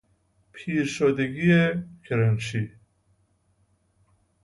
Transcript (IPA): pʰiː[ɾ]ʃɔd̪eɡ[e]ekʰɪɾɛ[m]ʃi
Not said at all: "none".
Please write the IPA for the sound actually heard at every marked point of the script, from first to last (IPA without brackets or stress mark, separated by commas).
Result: ɾ, i, n